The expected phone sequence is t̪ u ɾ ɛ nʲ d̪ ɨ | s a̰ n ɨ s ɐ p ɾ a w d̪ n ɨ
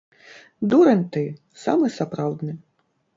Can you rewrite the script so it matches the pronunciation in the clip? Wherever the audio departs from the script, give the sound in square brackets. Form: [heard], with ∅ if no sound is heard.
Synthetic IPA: [d̪] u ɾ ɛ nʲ [t̪] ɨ | s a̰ [m] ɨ s [a] p ɾ a w d̪ n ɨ